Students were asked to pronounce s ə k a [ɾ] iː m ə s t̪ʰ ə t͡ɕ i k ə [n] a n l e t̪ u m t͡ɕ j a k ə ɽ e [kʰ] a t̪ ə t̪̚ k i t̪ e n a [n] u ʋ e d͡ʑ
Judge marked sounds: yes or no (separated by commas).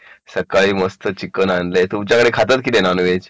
no, yes, yes, yes